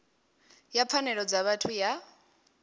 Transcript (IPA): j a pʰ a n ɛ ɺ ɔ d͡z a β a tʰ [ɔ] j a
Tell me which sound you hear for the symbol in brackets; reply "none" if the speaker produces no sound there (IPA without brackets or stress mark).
u